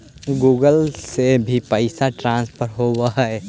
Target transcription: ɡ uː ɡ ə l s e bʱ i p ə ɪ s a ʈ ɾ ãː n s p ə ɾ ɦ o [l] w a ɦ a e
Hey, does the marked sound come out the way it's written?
no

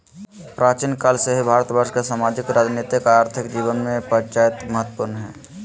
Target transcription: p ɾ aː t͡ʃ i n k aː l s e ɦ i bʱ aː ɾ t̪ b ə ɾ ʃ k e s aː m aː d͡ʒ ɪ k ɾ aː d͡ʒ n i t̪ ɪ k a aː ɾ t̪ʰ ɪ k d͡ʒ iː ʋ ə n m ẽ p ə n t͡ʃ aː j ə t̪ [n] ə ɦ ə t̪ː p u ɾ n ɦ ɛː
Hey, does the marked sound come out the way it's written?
no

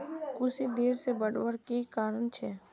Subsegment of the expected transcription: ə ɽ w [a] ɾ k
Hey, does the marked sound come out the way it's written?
no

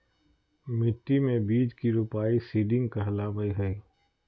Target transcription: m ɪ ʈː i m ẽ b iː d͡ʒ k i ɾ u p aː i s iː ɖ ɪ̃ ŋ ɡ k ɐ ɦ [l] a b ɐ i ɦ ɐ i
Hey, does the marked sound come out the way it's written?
yes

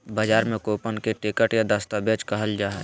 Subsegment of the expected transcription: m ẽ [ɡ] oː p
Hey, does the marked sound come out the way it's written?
no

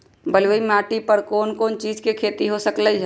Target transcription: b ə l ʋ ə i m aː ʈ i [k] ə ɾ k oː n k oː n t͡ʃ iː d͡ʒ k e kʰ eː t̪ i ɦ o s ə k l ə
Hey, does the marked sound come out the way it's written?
no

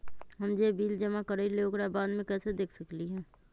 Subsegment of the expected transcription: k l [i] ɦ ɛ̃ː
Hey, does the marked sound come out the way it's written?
yes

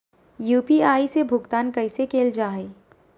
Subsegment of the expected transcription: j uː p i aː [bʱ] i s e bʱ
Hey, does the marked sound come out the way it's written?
no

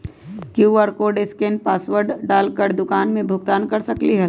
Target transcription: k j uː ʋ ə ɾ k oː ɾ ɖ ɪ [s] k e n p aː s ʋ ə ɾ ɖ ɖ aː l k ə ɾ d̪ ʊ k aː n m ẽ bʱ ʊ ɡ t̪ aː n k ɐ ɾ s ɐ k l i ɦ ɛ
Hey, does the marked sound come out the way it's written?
yes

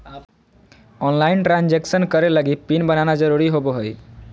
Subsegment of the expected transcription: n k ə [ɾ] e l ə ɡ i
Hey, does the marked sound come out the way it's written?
yes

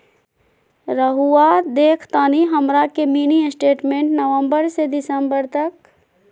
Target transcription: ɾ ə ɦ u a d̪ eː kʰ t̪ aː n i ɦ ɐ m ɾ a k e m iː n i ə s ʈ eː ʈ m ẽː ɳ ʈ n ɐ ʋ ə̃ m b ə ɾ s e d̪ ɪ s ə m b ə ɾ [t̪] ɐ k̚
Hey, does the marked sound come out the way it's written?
yes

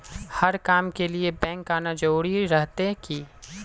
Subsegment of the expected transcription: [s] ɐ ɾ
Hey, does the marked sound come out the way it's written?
no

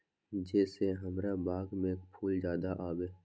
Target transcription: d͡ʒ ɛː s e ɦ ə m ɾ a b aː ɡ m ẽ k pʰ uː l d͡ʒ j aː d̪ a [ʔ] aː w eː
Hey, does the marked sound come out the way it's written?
yes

